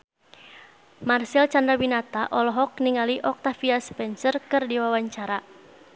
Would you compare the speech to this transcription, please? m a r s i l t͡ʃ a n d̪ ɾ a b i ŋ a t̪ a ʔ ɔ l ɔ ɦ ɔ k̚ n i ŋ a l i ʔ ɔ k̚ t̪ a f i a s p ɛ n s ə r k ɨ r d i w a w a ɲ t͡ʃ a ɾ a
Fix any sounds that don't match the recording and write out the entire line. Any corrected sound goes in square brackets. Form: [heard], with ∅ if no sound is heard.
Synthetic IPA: m a r s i l t͡ʃ a n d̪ ɾ a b i [n] a t̪ a ʔ ɔ l ɔ ɦ ɔ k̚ n i ŋ a l i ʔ ɔ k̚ t̪ a f i a s p ɛ n s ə r k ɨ r d i w a w a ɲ t͡ʃ a ɾ a